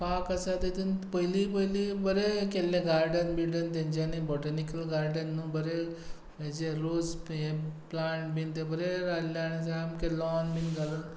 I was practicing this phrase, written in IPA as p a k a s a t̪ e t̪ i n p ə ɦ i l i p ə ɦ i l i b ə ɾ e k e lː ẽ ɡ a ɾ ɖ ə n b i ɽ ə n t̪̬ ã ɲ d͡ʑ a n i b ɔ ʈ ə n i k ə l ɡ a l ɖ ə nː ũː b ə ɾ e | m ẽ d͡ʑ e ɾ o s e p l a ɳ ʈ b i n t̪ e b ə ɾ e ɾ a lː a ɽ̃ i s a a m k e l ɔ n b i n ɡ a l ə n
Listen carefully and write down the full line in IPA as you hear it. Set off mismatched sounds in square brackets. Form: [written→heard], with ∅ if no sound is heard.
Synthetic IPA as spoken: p a k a s a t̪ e t̪ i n p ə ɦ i l i p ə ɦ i l i b ə ɾ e k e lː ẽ ɡ a ɾ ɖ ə n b i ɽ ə n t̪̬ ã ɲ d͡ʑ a n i b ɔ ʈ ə n i k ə l ɡ a [l→ɾ] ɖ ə nː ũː b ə ɾ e | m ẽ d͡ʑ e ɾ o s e p l a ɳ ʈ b i n t̪ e b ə ɾ e ɾ a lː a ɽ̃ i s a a m k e l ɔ n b i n ɡ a l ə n